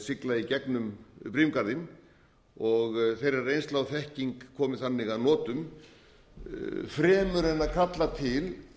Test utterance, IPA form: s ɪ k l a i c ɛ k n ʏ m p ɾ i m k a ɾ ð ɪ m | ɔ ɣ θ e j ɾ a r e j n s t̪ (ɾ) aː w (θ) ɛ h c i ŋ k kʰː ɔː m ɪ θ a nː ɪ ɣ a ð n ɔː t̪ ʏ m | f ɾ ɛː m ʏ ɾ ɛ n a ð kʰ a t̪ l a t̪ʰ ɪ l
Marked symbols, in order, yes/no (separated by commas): no, yes